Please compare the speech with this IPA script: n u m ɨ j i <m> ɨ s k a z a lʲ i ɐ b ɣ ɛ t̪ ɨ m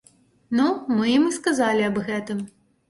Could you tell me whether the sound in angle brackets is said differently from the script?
no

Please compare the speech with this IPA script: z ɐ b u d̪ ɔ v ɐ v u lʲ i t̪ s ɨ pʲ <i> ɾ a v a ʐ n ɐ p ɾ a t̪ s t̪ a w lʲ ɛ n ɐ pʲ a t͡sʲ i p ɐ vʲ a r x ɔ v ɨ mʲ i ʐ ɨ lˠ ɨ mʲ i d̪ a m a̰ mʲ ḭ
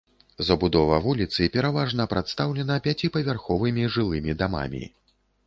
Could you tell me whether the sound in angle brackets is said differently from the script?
yes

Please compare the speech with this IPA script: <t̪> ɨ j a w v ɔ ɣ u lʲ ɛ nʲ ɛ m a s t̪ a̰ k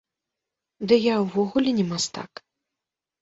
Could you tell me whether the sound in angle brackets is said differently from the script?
yes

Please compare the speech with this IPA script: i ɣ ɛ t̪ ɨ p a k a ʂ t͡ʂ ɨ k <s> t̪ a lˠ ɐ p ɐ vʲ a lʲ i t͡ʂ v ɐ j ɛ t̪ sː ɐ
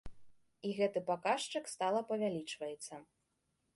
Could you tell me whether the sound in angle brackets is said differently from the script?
no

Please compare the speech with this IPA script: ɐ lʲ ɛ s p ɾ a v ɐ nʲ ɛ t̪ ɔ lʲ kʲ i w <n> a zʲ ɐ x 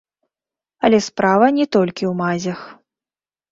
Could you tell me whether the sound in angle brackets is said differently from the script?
yes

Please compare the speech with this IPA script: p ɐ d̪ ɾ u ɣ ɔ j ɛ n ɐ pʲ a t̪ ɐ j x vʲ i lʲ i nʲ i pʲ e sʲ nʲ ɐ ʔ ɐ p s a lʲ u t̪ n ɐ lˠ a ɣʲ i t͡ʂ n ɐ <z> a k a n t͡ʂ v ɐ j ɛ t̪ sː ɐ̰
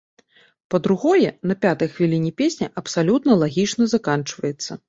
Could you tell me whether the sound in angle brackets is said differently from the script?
no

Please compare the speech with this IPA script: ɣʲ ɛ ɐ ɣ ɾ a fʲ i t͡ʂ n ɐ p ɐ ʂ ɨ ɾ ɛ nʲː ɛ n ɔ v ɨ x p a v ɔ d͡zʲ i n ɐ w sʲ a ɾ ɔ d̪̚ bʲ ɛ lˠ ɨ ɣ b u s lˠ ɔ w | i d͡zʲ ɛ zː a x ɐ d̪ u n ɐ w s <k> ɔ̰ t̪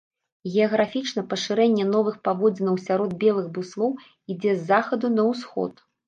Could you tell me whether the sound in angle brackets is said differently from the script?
yes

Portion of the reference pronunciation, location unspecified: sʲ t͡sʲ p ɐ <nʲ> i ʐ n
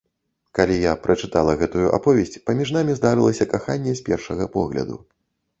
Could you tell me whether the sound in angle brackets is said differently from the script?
yes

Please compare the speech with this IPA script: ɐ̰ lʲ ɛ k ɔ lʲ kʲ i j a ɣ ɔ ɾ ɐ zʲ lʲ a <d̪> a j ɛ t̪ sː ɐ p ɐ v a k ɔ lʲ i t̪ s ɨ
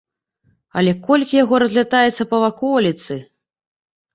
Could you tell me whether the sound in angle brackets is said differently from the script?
yes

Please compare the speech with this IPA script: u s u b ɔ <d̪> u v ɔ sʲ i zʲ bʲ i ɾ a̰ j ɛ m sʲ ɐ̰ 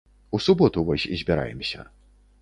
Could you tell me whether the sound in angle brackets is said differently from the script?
yes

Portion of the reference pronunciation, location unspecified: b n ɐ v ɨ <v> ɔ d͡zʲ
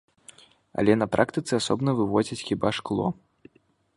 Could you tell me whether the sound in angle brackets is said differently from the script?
no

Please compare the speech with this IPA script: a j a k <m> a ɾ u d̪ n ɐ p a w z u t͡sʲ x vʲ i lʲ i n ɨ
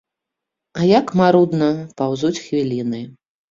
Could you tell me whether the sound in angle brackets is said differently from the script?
no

